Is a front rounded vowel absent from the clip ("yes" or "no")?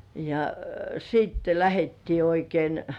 yes